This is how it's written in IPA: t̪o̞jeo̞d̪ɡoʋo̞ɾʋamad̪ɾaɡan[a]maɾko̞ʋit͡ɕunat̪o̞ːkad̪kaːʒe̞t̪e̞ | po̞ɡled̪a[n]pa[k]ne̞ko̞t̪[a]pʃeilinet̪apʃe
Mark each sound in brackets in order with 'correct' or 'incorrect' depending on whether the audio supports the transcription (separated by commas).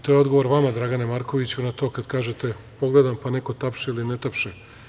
incorrect, incorrect, incorrect, correct